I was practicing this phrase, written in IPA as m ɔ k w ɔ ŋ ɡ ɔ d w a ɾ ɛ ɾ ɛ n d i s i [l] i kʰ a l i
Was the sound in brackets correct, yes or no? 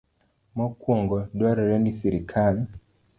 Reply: no